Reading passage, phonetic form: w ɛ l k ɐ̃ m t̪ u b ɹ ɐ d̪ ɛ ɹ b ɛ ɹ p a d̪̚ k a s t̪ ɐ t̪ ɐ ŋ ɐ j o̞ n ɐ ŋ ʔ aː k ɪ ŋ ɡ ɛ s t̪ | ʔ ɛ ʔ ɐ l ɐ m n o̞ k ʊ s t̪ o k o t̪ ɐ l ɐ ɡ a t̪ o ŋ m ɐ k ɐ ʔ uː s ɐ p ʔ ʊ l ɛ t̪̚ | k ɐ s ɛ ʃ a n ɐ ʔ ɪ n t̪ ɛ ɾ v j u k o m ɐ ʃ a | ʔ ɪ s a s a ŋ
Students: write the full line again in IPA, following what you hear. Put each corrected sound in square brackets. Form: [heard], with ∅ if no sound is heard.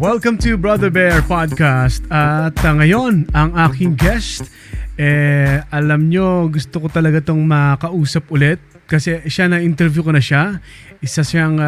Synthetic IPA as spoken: w ɛ l k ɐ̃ m t̪ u b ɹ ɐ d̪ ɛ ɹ b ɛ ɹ p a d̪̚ k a s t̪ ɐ t̪ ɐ ŋ ɐ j o̞ n ɐ ŋ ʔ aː k ɪ ŋ ɡ ɛ s t̪ | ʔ ɛ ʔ ɐ l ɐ m [ɲ] o̞ [ɡ] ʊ s t̪ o k o t̪ ɐ l ɐ ɡ a t̪ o ŋ m ɐ k ɐ ʔ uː s ɐ p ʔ ʊ l ɛ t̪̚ | k ɐ s ɛ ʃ a n ɐ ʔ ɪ n t̪ ɛ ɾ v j u k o [n] ɐ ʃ a | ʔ ɪ s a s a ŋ